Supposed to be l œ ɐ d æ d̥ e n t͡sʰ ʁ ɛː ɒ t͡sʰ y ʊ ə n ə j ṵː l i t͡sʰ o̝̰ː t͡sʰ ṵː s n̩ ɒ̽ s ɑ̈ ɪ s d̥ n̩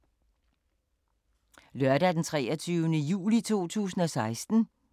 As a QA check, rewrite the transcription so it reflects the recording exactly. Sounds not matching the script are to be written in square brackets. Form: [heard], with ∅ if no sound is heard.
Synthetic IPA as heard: l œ ɐ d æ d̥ e n t͡sʰ ʁ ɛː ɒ t͡sʰ y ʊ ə n ə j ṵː l i t͡sʰ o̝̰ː t͡sʰ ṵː s n̩ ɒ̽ s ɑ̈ ɪ s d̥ n̩